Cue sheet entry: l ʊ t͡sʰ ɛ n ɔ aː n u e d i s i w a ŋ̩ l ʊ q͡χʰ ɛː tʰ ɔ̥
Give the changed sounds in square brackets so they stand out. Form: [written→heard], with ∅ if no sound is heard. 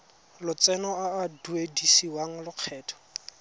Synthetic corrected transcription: l ʊ [t͡sʰ→t͡s] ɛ n ɔ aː [n→d] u e d i s i w a ŋ̩ l ʊ q͡χʰ ɛː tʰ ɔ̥

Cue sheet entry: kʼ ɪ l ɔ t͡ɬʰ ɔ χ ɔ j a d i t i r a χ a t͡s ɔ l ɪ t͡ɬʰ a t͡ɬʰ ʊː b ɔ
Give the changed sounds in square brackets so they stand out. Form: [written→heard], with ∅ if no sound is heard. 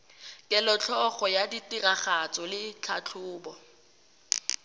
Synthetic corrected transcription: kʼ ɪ l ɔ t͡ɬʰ ɔ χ ɔ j a d i t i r a χ a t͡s ɔ l ɪ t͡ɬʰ a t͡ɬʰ ʊː b ɔ

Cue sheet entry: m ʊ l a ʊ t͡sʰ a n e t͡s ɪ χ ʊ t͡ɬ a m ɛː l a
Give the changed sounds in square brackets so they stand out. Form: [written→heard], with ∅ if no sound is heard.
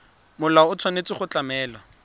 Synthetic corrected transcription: m ʊ l a ʊ t͡sʰ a n e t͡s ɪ χ ʊ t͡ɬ a m ɛː l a

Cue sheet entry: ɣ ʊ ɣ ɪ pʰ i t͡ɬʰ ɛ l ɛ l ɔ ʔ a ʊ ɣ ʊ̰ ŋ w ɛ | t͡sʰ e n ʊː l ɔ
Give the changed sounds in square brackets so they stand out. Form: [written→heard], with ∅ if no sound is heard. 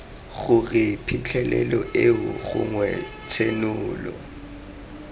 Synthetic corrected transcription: ɣ ʊ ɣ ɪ pʰ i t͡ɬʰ ɛ l ɛ l ɔ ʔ [a→e] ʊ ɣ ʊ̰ ŋ w ɛ | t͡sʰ e n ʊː l ɔ

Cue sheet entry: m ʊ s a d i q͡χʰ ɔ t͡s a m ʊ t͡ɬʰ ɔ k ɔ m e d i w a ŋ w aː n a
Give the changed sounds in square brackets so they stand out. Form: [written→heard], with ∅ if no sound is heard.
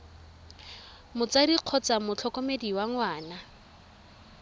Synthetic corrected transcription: m ʊ [s→t͡s] a d i q͡χʰ ɔ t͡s a m ʊ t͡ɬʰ ɔ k ɔ m e d i w a ŋ w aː n a

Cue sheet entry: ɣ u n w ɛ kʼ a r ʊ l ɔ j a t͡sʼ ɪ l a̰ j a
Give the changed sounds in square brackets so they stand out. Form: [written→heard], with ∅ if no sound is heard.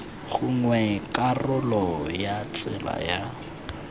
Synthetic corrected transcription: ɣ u [n→ŋ] w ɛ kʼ a r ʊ l ɔ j a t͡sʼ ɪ l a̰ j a

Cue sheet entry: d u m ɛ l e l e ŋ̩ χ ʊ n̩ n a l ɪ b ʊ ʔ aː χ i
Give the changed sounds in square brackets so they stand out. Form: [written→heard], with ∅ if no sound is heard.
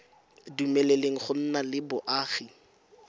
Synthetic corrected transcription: d u m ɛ l e l e ŋ̩ χ ʊ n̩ n a l ɪ b ʊ ʔ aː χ i

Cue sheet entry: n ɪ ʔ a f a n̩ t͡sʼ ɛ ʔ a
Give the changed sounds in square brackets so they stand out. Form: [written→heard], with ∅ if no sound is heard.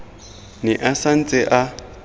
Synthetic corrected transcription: n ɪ ʔ a [f→s] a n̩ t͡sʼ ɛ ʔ a

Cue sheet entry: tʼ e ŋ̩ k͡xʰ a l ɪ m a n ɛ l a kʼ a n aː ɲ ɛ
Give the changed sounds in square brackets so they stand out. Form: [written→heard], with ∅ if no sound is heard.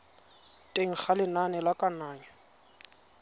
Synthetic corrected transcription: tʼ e ŋ̩ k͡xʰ a l ɪ [m→n] a n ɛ l a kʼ a n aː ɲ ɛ

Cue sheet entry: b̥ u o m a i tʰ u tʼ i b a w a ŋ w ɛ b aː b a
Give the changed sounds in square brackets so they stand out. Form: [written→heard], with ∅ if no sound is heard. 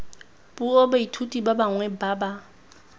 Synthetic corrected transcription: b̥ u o [m→b] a i tʰ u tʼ i b a [w→b] a ŋ w ɛ b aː b a

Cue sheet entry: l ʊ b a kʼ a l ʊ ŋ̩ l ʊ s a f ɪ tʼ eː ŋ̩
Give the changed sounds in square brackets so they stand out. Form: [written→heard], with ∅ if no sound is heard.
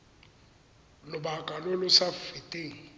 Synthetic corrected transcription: l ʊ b a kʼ a l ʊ [ŋ̩→∅] l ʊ s a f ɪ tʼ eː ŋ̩

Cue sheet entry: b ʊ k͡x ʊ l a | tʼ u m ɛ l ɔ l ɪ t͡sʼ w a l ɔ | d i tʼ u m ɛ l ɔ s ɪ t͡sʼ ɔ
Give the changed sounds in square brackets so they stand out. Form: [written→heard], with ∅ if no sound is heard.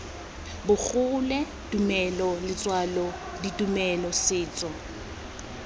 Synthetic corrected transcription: b ʊ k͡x ʊ l [a→ɛ] | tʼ u m ɛ l ɔ l ɪ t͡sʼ w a l ɔ | d i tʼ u m ɛ l ɔ s [ɪ→ɪː] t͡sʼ ɔ

